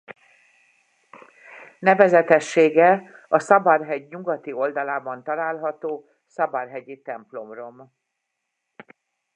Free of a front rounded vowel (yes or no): yes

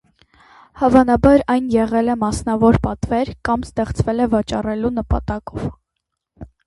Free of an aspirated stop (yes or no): yes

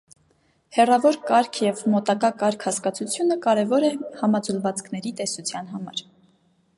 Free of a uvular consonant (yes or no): yes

